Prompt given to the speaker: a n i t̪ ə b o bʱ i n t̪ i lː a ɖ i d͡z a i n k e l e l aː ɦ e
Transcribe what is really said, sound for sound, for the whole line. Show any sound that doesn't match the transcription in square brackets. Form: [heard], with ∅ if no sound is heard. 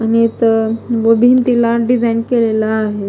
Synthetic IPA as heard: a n i t̪ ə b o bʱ i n t̪ i [l] a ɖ i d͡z a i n k e l e l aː ɦ e